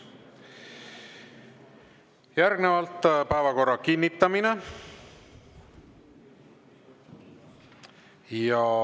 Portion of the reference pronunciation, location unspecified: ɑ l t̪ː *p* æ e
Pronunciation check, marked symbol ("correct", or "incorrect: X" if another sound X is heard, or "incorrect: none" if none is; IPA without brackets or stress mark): correct